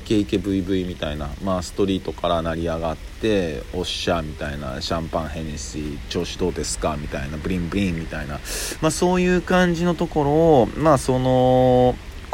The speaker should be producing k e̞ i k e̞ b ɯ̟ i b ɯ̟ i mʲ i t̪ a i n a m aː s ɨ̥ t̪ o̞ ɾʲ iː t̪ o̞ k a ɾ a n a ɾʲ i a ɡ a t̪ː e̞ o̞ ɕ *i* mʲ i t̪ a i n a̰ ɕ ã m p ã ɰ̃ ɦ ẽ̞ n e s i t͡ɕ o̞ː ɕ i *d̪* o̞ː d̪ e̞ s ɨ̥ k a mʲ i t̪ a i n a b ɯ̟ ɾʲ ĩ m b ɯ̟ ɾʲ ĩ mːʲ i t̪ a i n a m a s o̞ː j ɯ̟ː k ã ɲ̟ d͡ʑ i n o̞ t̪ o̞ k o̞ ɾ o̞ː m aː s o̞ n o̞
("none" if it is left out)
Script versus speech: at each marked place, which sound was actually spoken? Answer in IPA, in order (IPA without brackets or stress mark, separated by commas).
a, d̪